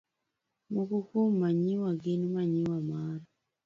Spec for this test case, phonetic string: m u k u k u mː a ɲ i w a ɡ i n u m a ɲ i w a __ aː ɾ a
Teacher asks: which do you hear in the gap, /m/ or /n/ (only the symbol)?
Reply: m